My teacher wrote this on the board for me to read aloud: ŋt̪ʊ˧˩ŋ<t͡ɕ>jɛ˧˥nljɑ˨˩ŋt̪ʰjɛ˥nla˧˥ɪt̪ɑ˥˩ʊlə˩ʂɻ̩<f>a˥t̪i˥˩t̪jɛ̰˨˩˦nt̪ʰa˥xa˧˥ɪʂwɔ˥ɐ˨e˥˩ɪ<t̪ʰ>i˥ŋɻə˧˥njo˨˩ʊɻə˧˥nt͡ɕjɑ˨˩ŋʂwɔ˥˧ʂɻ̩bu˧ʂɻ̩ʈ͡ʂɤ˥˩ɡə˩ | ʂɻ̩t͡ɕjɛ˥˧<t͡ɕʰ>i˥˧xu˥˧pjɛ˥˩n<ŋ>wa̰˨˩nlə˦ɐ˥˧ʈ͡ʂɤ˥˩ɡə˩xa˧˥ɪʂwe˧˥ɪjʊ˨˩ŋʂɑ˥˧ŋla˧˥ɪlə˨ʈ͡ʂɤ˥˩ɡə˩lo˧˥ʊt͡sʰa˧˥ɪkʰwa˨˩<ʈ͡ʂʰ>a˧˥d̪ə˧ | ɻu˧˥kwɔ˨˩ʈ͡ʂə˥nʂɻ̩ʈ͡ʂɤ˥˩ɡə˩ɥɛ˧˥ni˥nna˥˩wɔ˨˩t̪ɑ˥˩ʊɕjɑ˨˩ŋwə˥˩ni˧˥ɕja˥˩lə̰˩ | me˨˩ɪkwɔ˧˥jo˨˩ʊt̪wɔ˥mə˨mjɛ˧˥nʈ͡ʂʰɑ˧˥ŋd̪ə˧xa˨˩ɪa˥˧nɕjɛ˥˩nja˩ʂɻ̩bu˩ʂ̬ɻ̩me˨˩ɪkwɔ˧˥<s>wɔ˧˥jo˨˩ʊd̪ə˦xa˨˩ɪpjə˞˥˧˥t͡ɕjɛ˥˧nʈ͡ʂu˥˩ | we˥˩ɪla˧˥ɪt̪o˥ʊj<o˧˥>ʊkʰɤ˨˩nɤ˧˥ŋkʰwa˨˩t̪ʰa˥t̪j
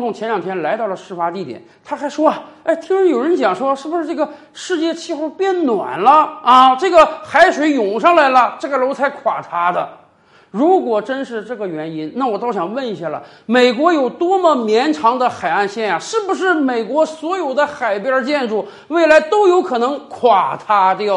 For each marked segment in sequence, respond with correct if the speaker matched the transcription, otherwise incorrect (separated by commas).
incorrect, correct, correct, correct, incorrect, correct, correct, correct